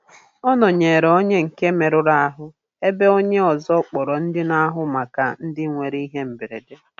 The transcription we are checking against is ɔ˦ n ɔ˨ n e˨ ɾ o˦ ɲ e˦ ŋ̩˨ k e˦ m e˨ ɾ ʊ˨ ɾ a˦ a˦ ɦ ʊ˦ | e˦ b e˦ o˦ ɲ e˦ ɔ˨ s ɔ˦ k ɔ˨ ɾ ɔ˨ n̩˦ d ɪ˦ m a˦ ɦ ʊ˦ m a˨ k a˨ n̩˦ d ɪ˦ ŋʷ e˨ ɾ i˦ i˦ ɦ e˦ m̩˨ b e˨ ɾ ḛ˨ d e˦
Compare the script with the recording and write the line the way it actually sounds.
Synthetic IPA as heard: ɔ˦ n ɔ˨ ɲ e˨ ɾ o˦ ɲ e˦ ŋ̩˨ k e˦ m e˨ ɾ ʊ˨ ɾ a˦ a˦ ɦ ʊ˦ | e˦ b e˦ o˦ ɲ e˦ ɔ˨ z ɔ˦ k͡p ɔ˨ ɾ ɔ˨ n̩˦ d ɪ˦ n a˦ ɦ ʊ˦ m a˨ k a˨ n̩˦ d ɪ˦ ŋʷ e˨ ɾ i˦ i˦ ɦ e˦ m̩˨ b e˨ ɾ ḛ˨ d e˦